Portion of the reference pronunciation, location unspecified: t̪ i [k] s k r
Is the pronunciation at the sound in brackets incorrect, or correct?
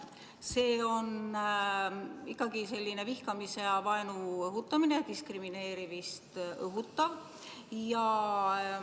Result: incorrect